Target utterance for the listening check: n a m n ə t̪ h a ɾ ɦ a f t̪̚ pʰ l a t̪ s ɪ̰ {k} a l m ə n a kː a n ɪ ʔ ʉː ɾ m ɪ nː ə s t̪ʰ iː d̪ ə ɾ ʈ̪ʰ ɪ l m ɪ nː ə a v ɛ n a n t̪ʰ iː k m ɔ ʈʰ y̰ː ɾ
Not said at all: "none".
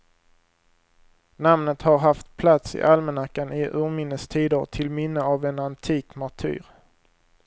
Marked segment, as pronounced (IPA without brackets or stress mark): ʔ